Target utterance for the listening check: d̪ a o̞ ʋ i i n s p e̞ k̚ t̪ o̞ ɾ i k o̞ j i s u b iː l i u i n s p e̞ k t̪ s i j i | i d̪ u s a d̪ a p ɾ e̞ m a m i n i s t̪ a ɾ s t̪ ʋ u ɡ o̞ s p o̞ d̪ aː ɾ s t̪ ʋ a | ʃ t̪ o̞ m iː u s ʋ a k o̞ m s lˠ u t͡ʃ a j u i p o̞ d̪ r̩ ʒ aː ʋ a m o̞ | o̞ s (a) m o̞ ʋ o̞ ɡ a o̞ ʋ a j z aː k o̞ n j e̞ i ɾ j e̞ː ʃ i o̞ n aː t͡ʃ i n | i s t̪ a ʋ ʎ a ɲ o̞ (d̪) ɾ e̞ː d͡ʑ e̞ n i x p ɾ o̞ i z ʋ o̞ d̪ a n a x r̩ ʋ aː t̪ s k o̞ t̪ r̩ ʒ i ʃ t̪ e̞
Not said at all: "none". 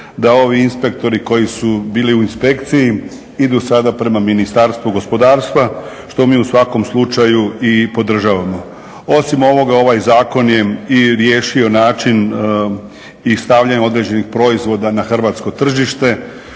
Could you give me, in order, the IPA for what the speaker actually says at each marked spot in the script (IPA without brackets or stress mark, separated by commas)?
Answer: i, d̪